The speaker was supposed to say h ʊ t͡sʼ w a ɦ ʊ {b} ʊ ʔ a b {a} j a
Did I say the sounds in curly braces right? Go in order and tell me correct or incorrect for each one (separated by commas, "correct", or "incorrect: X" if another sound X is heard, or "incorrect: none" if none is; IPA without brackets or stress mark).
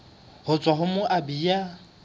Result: incorrect: m, incorrect: i